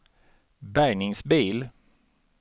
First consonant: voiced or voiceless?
voiced